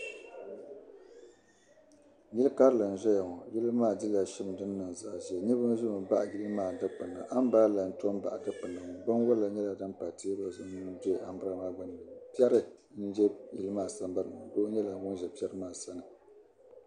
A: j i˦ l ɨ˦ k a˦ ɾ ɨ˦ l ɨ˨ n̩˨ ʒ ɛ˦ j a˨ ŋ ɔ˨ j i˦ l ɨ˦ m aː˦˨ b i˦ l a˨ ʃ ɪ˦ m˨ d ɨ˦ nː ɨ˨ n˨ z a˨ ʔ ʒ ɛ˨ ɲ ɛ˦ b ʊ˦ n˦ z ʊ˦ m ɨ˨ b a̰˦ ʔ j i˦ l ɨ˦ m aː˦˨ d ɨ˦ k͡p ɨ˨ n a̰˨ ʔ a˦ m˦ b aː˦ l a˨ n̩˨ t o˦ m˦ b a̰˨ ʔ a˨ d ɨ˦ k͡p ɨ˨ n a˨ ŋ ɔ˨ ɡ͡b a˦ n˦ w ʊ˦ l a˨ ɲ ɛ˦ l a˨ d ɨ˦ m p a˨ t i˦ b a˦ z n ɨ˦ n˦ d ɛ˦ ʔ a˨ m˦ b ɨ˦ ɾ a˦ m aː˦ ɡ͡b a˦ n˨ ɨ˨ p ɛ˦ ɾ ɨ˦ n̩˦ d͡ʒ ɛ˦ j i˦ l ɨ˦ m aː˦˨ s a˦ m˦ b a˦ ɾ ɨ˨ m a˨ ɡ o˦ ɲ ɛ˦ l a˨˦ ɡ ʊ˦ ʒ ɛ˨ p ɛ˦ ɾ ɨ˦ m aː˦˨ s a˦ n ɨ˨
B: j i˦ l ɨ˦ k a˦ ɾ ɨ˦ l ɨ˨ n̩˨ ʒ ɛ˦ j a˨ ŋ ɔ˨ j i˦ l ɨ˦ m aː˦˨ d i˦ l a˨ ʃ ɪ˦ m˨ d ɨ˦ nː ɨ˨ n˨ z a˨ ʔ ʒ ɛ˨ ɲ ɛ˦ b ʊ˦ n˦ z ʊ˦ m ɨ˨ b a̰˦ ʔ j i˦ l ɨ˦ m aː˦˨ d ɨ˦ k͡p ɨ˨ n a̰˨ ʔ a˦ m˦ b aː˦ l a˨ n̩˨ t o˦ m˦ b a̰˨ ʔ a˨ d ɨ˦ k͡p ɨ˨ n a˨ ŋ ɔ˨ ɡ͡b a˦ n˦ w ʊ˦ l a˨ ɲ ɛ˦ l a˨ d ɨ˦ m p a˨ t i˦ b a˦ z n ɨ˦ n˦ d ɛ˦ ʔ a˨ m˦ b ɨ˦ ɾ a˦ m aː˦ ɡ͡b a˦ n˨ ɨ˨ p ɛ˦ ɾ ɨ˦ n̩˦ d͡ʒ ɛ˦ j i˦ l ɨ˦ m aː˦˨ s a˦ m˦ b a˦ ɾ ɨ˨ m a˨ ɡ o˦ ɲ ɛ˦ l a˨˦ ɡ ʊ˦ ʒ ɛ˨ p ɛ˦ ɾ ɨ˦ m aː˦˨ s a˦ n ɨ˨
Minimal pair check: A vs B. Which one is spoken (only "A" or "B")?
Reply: B